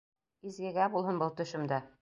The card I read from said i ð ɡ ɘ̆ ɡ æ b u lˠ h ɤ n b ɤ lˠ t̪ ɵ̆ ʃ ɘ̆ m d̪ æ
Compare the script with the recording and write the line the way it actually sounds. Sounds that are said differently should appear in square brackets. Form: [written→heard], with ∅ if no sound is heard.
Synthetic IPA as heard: i [ð→z] ɡ ɘ̆ ɡ æ b u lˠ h ɤ n b ɤ lˠ t̪ ɵ̆ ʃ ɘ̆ m d̪ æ